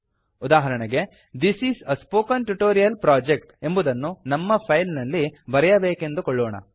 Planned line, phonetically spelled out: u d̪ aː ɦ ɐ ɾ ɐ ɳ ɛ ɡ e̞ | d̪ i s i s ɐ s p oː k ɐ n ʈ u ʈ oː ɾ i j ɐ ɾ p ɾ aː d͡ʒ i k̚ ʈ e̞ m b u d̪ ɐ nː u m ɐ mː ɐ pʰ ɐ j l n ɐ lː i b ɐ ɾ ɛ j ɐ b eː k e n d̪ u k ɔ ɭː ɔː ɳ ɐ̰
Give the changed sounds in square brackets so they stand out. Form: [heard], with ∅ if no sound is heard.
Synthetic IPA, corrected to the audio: u d̪ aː ɦ ɐ ɾ ɐ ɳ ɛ ɡ e̞ | d̪ i s i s ɐ s p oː k ɐ n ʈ u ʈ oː ɾ i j ɐ [l] p ɾ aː d͡ʒ [e] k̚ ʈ e̞ m b u d̪ ɐ nː u [n] ɐ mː ɐ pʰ ɐ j l n ɐ lː i b ɐ ɾ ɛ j ɐ b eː k e n d̪ u k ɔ ɭː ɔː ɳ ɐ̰